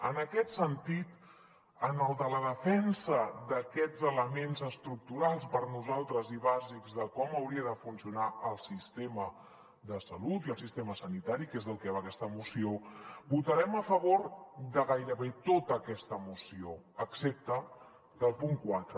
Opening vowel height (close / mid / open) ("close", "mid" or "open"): mid